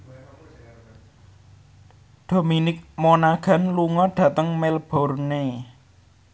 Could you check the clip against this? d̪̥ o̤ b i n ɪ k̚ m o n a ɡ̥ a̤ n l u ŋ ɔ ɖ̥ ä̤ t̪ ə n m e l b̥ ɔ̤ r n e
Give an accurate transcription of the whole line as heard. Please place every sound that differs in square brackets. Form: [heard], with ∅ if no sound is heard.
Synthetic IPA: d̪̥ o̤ [m] i n ɪ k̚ m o n a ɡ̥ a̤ n l u ŋ ɔ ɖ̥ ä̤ t̪ ə [ŋ] m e l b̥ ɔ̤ r n e